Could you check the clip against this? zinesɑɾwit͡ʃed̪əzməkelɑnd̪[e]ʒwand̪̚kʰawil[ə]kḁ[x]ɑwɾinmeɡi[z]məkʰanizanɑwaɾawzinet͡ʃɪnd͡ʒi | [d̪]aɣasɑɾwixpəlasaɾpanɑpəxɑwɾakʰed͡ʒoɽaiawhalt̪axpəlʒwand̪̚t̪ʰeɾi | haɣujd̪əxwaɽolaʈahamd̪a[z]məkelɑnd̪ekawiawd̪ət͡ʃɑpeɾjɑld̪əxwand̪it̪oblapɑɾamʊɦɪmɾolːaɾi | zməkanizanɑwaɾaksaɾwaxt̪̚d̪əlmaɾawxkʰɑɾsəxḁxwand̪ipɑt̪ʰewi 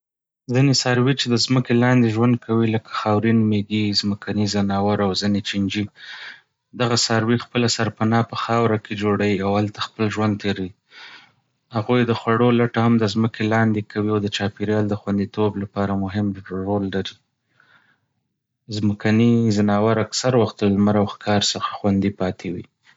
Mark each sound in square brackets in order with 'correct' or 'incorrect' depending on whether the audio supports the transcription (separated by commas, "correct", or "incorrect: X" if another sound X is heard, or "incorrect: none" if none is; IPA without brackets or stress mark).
correct, correct, correct, correct, correct, correct